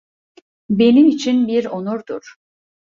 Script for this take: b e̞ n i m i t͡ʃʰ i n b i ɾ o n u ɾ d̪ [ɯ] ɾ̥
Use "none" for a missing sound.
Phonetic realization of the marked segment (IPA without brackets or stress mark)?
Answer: u